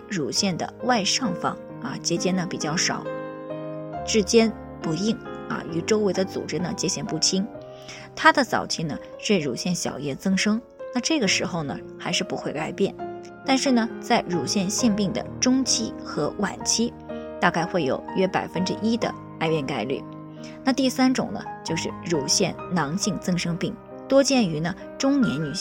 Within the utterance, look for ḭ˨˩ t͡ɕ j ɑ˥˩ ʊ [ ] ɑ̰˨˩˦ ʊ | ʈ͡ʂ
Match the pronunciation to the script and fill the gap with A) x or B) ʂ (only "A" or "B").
B